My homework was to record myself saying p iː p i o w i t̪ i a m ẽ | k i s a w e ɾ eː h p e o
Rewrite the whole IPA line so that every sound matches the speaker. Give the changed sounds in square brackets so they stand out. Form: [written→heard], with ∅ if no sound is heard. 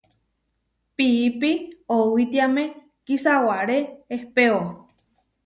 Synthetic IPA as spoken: p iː p i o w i t̪ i a m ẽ | k i s a w [e→a] ɾ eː h p e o